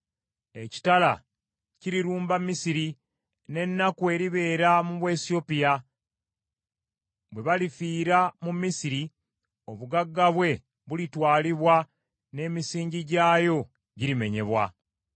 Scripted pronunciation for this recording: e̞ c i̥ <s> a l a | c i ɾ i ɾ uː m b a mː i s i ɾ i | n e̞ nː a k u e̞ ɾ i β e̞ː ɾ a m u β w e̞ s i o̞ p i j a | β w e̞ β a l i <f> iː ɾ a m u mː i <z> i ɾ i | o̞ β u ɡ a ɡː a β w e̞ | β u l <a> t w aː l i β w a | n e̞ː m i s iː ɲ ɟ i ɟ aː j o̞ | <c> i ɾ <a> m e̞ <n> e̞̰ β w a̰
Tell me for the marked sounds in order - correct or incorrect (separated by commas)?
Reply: incorrect, correct, incorrect, incorrect, incorrect, incorrect, incorrect